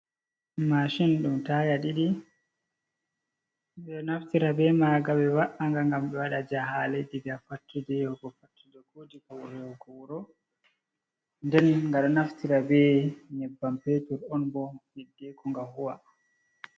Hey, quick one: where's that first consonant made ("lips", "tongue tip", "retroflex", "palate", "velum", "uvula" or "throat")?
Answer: lips